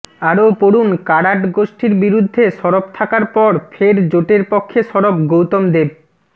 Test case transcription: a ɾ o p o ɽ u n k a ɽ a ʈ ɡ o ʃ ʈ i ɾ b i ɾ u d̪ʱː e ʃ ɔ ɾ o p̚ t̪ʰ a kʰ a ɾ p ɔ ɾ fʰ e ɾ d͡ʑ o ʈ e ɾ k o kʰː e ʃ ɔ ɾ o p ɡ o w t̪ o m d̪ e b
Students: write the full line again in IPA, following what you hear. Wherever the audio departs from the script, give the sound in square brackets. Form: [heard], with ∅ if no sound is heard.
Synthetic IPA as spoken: a ɾ o p o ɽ u n k a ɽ a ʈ ɡ o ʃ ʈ i ɾ b i ɾ u d̪ʱː e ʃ ɔ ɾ o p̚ t̪ʰ a [k] a ɾ p ɔ ɾ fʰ e ɾ d͡ʑ o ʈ e ɾ [p] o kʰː e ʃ ɔ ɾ o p ɡ o w t̪ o m d̪ e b